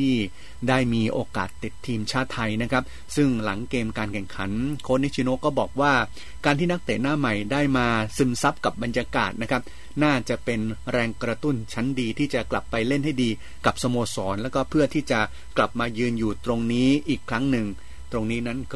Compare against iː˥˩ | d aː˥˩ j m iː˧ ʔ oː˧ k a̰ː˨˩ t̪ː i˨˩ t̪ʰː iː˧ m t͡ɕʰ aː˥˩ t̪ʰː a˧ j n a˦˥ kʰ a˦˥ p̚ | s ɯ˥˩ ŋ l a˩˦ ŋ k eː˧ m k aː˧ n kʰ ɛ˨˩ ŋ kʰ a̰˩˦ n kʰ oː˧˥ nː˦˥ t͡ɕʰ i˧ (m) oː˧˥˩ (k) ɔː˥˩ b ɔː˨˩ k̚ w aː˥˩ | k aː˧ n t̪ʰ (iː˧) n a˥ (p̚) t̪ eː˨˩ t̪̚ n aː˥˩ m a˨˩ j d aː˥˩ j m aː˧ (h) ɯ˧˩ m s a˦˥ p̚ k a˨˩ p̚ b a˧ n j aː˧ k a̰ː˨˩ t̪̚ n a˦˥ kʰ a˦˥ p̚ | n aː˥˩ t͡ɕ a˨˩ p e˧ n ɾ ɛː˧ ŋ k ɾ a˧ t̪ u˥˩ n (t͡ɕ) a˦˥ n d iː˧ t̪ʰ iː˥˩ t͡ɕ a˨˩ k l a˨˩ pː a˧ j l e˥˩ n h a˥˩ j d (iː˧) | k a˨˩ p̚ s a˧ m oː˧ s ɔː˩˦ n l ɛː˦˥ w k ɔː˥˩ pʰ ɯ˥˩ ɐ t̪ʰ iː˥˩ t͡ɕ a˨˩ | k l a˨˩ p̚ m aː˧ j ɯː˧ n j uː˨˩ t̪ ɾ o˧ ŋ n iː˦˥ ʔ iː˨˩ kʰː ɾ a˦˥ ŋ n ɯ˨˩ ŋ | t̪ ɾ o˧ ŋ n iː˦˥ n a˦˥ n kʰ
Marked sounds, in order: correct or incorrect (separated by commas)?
incorrect, correct, incorrect, incorrect, incorrect, incorrect, correct